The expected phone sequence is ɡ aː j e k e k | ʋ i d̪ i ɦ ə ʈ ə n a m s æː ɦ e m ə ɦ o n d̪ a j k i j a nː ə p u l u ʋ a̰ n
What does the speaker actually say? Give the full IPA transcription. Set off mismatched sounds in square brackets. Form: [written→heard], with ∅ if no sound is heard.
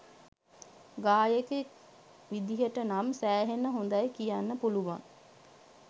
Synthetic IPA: ɡ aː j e k e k | ʋ i d̪ i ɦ ə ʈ ə n a m s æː ɦ e [m→n] ə ɦ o n d̪ a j k i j a nː ə p u l u ʋ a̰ [n→ŋ]